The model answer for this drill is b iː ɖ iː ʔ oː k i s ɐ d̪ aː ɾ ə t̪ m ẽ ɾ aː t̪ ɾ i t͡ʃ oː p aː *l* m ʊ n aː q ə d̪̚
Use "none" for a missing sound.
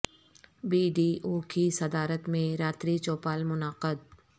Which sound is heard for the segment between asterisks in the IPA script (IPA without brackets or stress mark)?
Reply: l